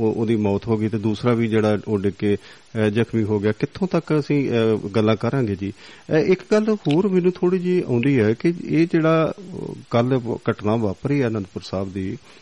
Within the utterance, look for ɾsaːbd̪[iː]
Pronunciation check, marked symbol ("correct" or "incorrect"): correct